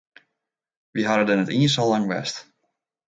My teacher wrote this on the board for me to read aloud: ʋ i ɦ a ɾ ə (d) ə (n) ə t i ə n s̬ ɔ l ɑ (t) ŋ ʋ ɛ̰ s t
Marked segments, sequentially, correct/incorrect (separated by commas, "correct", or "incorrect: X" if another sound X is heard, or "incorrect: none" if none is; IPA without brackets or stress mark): correct, correct, incorrect: none